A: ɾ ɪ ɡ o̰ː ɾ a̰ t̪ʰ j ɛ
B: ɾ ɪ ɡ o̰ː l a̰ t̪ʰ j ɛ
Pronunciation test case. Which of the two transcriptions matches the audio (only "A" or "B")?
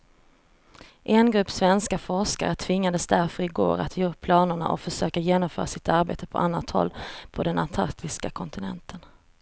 A